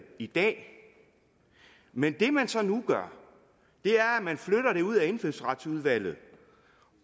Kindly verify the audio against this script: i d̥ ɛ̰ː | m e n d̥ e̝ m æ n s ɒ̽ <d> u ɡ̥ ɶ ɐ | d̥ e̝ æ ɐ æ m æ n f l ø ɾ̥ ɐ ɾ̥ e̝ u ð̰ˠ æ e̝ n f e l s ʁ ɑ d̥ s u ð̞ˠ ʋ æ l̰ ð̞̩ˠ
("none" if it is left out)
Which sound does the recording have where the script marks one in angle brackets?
n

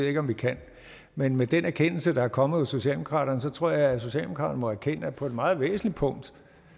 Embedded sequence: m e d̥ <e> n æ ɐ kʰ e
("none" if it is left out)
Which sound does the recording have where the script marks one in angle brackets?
e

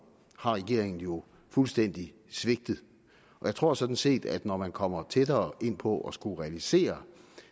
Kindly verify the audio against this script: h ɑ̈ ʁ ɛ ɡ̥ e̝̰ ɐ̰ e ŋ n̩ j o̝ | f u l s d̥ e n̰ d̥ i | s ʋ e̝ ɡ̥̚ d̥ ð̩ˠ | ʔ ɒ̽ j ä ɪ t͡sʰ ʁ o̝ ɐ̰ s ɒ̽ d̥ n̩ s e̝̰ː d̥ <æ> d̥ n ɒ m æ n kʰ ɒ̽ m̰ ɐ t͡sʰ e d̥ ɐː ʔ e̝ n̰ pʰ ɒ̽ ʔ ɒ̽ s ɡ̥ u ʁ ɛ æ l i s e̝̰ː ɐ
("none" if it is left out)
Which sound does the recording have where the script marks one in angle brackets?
æ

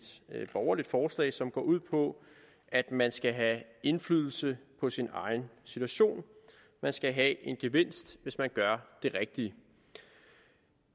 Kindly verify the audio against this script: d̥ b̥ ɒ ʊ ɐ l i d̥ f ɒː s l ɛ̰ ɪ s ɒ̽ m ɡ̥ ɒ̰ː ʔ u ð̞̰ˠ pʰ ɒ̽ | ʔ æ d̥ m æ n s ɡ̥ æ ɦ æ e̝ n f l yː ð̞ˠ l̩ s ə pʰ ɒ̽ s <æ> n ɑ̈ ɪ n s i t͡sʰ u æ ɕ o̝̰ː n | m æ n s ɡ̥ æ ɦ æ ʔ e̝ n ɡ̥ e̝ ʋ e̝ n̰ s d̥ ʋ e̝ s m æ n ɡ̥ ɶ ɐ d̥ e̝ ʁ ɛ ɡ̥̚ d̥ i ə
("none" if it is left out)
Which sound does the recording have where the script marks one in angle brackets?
i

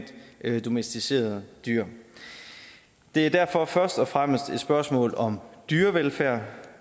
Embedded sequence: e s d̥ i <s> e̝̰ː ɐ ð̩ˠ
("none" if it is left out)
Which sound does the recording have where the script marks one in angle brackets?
s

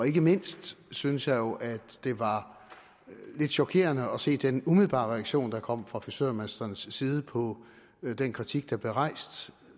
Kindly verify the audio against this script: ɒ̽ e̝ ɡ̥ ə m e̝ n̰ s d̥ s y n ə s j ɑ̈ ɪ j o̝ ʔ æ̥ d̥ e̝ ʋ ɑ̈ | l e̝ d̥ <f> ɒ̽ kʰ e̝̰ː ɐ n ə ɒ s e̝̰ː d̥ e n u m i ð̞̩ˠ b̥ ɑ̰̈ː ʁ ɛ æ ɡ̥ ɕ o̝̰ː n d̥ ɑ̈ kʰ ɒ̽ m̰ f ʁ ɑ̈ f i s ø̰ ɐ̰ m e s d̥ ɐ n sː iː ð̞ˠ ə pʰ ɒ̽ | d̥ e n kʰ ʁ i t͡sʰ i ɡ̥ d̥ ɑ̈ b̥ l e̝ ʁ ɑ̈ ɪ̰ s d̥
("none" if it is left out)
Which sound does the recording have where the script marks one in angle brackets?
ɕ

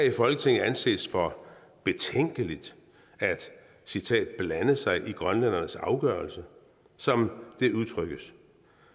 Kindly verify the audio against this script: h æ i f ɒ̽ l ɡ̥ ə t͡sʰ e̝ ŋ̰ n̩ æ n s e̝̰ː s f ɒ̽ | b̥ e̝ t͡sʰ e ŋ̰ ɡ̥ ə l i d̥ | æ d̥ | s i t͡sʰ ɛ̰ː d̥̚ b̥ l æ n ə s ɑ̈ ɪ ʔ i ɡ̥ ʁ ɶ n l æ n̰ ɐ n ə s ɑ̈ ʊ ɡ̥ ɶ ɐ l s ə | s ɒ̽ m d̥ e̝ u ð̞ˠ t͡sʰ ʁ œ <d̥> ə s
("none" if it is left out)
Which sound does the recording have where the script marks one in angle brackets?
ɡ̥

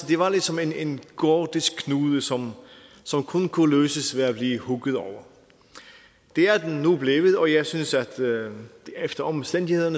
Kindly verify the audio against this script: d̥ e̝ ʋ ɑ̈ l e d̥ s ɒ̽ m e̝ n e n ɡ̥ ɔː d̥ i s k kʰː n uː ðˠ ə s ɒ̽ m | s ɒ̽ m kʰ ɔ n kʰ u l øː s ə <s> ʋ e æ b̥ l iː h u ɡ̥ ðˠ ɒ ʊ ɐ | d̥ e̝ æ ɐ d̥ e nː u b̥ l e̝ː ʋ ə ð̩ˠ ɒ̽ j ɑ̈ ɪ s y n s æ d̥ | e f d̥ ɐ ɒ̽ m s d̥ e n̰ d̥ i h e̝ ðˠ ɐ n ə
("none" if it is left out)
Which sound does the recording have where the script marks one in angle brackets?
s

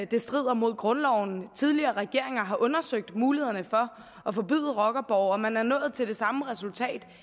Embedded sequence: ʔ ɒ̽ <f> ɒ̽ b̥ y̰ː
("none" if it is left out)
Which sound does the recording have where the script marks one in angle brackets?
f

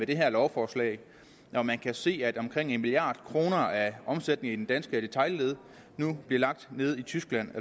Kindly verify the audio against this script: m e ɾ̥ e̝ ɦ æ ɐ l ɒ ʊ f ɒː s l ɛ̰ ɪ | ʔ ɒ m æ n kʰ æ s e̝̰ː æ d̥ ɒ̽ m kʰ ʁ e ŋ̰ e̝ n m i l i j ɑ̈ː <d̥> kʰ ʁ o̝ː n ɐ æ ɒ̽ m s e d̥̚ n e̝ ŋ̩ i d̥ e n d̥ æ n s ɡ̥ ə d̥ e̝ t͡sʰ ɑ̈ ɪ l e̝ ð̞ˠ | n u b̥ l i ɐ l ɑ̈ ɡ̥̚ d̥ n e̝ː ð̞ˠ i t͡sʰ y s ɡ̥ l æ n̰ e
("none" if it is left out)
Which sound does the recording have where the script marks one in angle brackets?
d̥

